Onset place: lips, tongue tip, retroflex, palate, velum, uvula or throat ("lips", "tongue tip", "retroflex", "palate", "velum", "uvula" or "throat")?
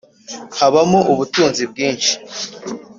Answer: throat